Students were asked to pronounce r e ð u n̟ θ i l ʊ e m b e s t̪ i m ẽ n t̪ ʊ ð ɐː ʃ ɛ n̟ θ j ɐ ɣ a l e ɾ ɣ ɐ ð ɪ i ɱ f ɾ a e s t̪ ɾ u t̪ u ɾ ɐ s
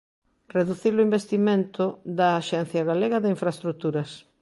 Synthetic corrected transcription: r e ð u θ i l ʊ i m b e s t̪ i m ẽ n t̪ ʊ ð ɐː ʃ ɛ n̟ θ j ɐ ɣ a l e ɣ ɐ ð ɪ i ɱ f ɾ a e s t̪ ɾ u t̪ u ɾ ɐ s